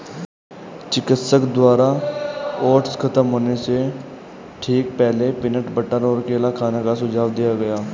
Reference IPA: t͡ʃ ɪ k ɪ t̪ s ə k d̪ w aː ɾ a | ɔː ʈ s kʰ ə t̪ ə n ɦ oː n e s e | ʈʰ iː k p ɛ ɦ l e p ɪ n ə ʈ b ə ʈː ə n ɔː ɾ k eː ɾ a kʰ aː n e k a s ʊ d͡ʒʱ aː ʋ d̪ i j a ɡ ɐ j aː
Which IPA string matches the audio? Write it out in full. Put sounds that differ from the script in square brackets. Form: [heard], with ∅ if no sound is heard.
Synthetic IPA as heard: t͡ʃ ɪ k ɪ t̪ s ə k d̪ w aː ɾ a | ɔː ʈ s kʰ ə t̪ ə [m] ɦ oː n e s e | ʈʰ iː k p ɛ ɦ l e p ɪ n ə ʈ b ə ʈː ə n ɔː ɾ k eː [l] a kʰ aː n e k a s ʊ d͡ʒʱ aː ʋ d̪ i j a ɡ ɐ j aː

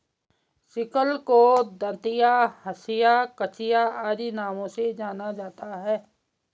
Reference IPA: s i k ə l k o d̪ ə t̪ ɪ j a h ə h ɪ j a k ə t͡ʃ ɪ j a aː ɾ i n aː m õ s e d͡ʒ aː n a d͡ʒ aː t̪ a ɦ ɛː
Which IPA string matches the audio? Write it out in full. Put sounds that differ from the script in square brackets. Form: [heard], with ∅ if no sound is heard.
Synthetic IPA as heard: s [ɪ] k ə l k o d̪ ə t̪ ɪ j a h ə [s] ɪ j a k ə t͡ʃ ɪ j a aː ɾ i n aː m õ s e d͡ʒ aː n a d͡ʒ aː t̪ a ɦ ɛː

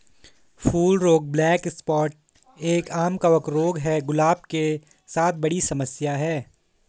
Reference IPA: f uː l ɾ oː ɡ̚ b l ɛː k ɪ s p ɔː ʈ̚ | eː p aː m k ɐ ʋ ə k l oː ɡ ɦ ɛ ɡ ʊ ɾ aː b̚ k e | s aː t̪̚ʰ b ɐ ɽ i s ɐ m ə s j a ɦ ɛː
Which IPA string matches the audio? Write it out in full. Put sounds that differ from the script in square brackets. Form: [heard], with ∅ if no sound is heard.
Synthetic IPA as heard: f uː l ɾ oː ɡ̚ b l ɛː k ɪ s p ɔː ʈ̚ | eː [k] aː m k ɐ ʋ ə k [ɾ] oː ɡ ɦ ɛ ɡ ʊ [l] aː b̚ k e | s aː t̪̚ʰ b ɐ ɽ i s ɐ m ə s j a ɦ ɛː

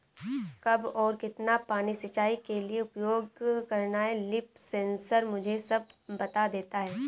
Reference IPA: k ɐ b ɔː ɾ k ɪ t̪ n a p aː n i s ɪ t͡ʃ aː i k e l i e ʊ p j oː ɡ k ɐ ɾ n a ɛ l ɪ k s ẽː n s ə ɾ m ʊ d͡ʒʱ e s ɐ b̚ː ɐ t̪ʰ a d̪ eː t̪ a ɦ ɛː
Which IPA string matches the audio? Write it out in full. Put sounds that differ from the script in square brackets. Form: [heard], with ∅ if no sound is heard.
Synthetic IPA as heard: k ɐ b ɔː ɾ k ɪ t̪ n a p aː n i s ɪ t͡ʃ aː i k e l i e ʊ p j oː ɡ k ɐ ɾ n a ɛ l ɪ [p] s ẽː n s ə ɾ m ʊ d͡ʒʱ e s ɐ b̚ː ɐ [t̪] a d̪ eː t̪ a ɦ ɛː

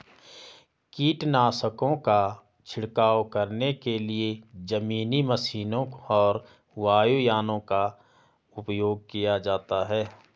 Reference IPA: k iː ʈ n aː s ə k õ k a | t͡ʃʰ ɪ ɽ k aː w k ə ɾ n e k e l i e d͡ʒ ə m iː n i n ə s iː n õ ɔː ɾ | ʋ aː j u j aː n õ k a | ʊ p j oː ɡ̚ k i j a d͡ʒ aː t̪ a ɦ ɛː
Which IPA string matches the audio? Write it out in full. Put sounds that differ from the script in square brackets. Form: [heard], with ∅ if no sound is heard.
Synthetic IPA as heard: k iː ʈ n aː s ə k õ k a | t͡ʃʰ ɪ ɽ k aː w k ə ɾ n e k e l i e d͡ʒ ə m iː n i [m] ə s iː n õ ɔː ɾ | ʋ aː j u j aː n õ k a | ʊ p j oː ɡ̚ k i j a d͡ʒ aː t̪ a ɦ ɛː

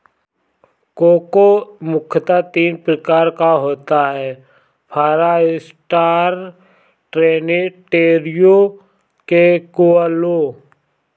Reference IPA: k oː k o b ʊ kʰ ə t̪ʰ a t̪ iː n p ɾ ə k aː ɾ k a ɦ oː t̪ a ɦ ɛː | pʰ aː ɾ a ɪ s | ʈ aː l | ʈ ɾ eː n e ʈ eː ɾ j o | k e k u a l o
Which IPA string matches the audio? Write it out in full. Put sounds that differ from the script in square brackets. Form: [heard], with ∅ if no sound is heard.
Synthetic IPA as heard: k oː k o [m] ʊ kʰ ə [t̪] a t̪ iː n p ɾ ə k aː ɾ k a ɦ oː t̪ a ɦ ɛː | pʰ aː ɾ a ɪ s | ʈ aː [ɾ] | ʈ ɾ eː n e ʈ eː ɾ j o | k e k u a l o

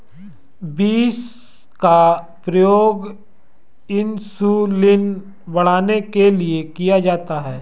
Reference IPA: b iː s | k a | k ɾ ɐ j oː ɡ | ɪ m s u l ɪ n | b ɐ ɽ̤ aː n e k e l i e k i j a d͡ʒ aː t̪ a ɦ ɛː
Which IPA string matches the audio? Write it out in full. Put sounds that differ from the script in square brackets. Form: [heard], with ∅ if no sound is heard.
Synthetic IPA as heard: b iː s | k a | [p] ɾ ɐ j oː ɡ | ɪ [n] s u l ɪ n | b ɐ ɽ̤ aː n e k e l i e k i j a d͡ʒ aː t̪ a ɦ ɛː

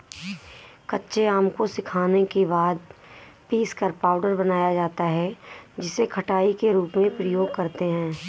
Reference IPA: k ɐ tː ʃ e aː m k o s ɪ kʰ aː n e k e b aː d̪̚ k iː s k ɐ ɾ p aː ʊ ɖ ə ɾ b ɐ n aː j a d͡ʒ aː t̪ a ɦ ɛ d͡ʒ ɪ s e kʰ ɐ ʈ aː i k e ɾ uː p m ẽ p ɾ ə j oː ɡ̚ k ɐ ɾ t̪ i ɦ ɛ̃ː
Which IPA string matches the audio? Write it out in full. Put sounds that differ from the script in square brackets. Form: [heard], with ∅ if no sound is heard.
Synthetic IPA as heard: k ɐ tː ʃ e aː m k o s ɪ kʰ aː n e k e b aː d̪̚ [p] iː s k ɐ ɾ p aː ʊ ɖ ə ɾ b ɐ n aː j a d͡ʒ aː t̪ a ɦ ɛ d͡ʒ ɪ s e kʰ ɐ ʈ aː i k e ɾ uː p m ẽ p ɾ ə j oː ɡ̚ k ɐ ɾ t̪ [e] ɦ ɛ̃ː

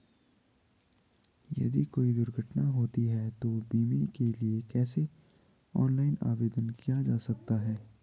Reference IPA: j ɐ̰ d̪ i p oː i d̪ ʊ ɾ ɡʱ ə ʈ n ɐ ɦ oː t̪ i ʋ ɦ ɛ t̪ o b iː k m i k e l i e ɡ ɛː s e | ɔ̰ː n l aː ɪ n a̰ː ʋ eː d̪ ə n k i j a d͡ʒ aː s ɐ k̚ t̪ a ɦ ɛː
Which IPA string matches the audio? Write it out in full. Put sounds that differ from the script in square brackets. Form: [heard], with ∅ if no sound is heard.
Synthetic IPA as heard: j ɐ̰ d̪ i [k] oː i d̪ ʊ ɾ ɡʱ ə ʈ n [a] ɦ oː t̪ i [∅] ɦ ɛ t̪ o b iː [∅] m i k e l i e [k] ɛː s e | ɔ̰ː n l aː ɪ n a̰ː ʋ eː d̪ ə n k i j a d͡ʒ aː s ɐ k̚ t̪ a ɦ ɛː

